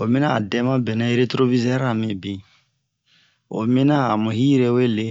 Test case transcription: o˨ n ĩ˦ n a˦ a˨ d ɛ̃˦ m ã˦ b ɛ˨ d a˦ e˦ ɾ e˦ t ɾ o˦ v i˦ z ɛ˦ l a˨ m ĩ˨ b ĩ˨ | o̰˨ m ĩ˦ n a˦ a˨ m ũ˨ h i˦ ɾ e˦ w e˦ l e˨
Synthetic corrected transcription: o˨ m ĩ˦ n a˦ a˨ d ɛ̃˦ m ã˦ b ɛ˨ n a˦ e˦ ɾ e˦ t ɾ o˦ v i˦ z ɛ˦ ɾ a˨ m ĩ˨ b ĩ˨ | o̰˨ m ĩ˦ n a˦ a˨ m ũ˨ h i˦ ɾ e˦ w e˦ l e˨